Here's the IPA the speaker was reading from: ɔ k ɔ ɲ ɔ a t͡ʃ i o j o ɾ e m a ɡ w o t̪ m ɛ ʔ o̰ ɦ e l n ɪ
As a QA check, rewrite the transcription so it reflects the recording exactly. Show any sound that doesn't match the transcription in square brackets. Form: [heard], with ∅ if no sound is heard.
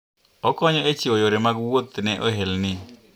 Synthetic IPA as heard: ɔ k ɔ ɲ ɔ [e] t͡ʃ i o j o ɾ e m a ɡ w o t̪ [n] ɛ ʔ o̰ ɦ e l n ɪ